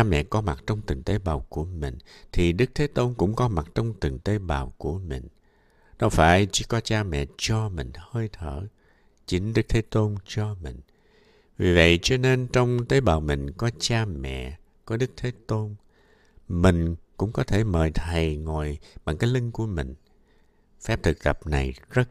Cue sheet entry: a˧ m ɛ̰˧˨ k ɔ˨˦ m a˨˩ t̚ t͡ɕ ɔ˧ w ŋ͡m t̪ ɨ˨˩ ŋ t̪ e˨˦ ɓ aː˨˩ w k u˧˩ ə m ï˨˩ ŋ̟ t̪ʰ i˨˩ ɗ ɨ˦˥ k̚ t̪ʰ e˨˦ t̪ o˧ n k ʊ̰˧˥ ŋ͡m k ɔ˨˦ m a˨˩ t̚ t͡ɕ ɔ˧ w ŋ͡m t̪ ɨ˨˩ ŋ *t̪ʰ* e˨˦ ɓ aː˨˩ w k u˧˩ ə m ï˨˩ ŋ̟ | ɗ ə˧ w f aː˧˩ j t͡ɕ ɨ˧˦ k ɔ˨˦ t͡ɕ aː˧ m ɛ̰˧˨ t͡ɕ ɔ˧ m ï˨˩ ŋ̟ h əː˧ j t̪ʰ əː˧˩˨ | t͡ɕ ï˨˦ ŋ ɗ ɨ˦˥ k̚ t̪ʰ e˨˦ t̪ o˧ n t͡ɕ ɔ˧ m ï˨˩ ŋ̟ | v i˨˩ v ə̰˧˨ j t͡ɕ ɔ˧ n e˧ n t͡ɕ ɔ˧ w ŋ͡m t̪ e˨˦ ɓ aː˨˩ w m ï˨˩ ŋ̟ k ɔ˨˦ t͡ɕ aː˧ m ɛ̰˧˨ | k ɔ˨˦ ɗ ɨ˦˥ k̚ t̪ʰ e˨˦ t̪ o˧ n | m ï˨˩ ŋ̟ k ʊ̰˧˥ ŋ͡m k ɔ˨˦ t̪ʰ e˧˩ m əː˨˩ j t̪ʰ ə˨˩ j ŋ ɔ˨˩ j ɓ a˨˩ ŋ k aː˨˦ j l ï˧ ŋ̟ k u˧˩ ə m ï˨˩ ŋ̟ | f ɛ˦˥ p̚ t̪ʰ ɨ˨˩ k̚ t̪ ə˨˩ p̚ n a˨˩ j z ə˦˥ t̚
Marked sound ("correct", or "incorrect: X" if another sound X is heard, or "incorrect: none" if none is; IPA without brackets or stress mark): incorrect: t̪